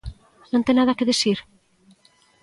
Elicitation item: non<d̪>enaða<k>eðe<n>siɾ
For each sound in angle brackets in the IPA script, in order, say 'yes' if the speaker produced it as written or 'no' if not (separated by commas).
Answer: no, yes, no